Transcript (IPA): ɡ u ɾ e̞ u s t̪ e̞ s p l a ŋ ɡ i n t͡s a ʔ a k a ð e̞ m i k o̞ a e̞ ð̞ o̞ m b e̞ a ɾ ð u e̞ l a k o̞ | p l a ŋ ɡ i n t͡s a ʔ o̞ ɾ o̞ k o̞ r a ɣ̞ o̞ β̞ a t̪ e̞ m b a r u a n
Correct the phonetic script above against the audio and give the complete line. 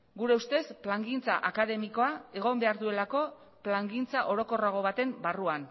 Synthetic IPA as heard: ɡ u ɾ e̞ u s t̪ e̞ s p l a ŋ ɡ i n t͡s a ʔ a k a ð e̞ m i k o̞ a e̞ ɣ̞ o̞ m b e̞ a ɾ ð u e̞ l a k o̞ | p l a ŋ ɡ i n t͡s a ʔ o̞ ɾ o̞ k o̞ r a ɣ̞ o̞ β̞ a t̪ e̞ m b a r u a n